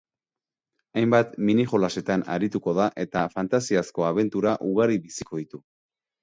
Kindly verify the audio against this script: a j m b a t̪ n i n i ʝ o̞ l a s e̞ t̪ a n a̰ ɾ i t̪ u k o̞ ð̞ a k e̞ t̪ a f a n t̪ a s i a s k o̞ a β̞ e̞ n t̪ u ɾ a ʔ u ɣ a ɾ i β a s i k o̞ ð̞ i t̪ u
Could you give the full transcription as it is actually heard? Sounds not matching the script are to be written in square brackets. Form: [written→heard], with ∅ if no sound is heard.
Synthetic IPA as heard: a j m b a t̪ [n→m] i n i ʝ o̞ l a s e̞ t̪ a n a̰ ɾ i t̪ u k o̞ ð̞ a [k→ʔ] e̞ t̪ a f a n t̪ a s i a s k o̞ a β̞ e̞ n t̪ u ɾ a ʔ u ɣ a ɾ i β [a→i] s i k o̞ ð̞ i t̪ u

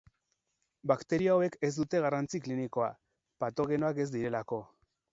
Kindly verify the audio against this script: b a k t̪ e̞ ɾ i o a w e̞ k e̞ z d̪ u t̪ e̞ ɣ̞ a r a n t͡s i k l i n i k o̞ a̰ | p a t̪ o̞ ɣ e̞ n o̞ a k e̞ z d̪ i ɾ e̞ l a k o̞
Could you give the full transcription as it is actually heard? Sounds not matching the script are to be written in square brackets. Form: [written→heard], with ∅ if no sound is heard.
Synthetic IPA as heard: b a k t̪ e̞ ɾ i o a w e̞ k e̞ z d̪ u t̪ e̞ ɣ̞ a r a n t͡s i k l i n i k o̞ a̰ | p a t̪ o̞ ɣ e̞ n o̞ a k e̞ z d̪ i ɾ e̞ l a k o̞

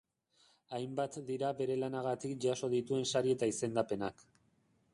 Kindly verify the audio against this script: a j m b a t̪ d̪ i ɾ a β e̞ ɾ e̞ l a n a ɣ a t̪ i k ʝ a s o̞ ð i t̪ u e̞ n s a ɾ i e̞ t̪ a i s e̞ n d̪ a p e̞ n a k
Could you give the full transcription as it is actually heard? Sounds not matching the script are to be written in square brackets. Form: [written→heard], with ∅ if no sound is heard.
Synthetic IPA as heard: a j m b a t̪ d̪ i ɾ a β e̞ ɾ e̞ l a n a ɣ a t̪ i k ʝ a s o̞ ð i t̪ u e̞ n s a ɾ i e̞ t̪ a i s e̞ n d̪ a p e̞ n a k

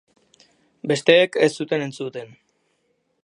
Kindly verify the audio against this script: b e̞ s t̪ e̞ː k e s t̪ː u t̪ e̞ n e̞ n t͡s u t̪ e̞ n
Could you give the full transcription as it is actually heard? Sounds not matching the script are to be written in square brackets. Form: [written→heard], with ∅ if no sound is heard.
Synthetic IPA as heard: b e̞ s t̪ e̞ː k e s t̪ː u t̪ e̞ n e̞ n t͡s u t̪ e̞ n

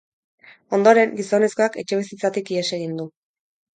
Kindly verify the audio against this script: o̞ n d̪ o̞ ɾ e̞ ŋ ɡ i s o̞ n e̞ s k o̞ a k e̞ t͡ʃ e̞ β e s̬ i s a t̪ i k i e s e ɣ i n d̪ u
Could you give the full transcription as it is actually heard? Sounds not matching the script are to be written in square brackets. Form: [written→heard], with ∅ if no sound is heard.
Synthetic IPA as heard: o̞ n d̪ o̞ ɾ e̞ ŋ ɡ i s o̞ n e̞ s k o̞ a k e̞ t͡ʃ e̞ β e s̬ i [s→t͡s] a t̪ i k i e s e ɣ i n d̪ u

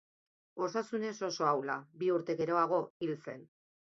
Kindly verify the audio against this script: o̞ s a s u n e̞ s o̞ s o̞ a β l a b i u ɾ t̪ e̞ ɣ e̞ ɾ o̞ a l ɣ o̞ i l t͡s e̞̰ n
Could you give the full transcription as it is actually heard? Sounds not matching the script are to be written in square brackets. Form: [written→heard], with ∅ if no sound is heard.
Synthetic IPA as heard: o̞ s a s u n e̞ s o̞ s o̞ a [β→w] l a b i u ɾ t̪ e̞ ɣ e̞ ɾ o̞ a [l→∅] ɣ o̞ i l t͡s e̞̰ n

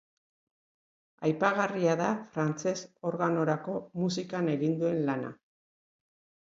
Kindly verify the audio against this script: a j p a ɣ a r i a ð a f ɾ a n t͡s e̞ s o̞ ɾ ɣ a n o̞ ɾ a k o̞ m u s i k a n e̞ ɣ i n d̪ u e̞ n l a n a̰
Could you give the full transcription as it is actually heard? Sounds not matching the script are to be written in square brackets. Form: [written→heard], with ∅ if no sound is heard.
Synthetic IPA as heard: a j p a ɣ a r i a ð a f ɾ a n t͡s e̞ s o̞ ɾ ɣ a n o̞ ɾ a k o̞ m u s i k a n e̞ ɣ i n d̪ u e̞ n l a n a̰

